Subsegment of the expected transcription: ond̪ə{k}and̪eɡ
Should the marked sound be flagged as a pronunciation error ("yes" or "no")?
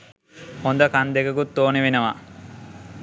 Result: no